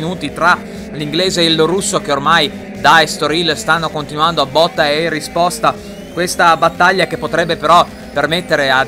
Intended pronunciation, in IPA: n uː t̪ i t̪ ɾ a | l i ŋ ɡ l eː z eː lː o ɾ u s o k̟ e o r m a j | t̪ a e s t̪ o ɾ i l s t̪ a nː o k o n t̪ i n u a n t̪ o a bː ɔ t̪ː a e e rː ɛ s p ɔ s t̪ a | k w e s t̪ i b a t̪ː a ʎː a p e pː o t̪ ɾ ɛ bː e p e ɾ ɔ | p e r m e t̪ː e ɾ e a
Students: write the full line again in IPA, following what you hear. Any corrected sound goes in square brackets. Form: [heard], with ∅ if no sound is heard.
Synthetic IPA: n uː t̪ i t̪ ɾ a | l i ŋ ɡ l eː z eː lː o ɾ u [sː] o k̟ e o r m a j | [d̪] a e s t̪ o ɾ i l s t̪ a nː o k o n t̪ i n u a n [d̪] o a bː ɔ t̪ː a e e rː [i] s p ɔ s t̪ a | k w e s t̪ [a] b a t̪ː a ʎː a [k] e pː o t̪ ɾ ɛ bː e p e ɾ ɔ | p e r m e t̪ː e ɾ e a